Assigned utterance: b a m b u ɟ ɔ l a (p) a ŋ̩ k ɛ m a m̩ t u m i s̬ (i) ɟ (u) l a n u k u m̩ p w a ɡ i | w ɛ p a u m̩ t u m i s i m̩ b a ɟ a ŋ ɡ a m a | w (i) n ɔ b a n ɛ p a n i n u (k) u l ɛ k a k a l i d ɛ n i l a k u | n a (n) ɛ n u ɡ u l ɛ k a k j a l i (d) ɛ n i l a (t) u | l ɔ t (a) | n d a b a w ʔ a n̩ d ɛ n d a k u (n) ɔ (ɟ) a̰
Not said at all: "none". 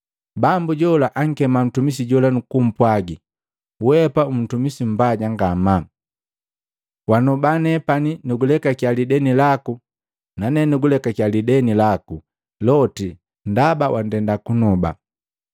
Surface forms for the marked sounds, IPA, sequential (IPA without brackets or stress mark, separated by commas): ʔ, i, ɔ, a, ɡ, n, d, k, i, n, b